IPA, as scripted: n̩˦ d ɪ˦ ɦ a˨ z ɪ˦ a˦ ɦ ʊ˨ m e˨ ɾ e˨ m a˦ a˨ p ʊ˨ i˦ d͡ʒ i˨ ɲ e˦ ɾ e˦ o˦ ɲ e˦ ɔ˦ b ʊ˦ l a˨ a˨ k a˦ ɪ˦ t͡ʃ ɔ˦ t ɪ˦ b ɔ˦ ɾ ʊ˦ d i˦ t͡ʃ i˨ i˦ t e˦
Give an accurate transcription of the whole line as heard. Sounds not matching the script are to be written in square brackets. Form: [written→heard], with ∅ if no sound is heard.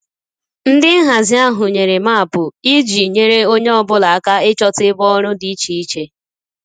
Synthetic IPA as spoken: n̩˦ d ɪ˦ ɦ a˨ z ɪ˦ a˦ ɦ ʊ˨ [m→ɲ] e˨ ɾ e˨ m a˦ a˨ p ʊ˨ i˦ d͡ʒ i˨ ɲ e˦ ɾ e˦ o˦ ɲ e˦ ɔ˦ b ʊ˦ l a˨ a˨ k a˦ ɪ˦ t͡ʃ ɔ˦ t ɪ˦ b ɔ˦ ɾ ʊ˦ d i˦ t͡ʃ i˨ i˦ [t→t͡ʃ] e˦